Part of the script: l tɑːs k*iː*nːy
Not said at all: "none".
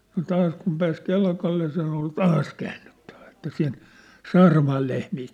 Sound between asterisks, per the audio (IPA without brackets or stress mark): æː